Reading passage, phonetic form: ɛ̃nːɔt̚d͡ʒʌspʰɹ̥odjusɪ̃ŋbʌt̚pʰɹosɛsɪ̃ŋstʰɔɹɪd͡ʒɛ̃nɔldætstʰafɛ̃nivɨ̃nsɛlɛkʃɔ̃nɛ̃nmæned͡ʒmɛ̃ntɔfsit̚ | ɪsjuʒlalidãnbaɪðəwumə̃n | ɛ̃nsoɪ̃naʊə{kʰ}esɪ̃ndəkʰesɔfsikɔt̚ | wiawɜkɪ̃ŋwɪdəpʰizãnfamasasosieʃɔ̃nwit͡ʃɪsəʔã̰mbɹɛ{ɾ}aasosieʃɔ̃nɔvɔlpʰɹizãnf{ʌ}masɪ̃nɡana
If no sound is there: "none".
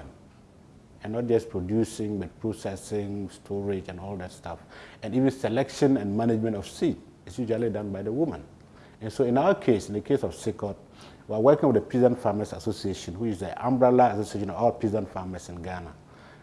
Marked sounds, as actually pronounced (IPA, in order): kʰ, l, a

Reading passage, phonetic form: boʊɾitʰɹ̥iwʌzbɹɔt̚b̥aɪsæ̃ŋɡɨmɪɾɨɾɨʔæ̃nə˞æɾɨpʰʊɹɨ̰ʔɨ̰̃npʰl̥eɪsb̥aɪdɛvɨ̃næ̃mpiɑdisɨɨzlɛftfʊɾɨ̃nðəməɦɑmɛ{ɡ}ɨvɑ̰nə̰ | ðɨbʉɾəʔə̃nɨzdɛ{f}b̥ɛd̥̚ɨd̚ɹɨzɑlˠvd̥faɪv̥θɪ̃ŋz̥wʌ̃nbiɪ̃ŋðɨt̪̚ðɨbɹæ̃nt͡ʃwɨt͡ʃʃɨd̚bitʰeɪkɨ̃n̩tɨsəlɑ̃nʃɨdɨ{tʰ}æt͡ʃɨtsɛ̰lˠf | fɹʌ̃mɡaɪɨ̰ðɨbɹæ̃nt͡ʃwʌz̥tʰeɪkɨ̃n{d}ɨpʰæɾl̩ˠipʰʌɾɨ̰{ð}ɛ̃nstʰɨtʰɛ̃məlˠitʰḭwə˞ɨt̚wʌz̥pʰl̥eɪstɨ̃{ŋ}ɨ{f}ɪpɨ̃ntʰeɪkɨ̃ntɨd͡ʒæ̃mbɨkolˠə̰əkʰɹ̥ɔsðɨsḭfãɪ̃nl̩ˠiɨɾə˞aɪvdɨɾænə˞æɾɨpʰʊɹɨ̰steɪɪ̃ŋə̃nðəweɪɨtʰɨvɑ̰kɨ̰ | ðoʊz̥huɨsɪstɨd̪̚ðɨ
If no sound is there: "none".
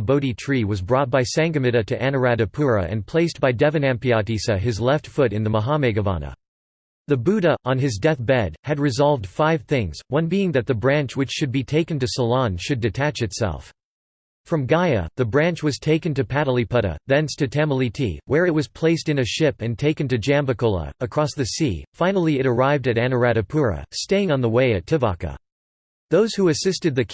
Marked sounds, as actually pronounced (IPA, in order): ɡ, θ, tʰ, t, ð, n, ʃ

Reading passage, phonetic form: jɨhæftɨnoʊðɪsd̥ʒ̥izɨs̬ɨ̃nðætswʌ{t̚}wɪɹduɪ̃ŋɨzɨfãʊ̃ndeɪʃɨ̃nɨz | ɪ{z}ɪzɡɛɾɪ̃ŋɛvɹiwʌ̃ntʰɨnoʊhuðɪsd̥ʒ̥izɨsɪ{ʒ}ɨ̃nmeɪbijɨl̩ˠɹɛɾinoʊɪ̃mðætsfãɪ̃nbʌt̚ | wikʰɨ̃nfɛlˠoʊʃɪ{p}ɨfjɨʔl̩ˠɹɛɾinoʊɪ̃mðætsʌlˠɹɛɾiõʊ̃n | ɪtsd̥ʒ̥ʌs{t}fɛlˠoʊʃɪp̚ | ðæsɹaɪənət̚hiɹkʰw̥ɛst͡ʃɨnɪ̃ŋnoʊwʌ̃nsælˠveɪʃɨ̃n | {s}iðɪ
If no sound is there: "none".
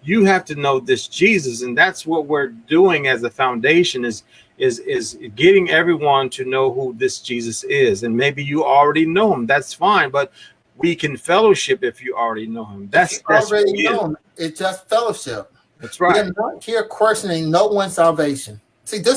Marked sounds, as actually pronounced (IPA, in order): t̚, z, z, p, t, s

